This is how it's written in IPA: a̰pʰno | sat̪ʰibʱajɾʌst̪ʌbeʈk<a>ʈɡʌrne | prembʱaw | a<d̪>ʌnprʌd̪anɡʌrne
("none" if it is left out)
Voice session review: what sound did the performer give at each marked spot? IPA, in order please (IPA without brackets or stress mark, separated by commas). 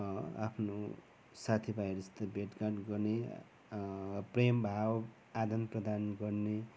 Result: a, d̪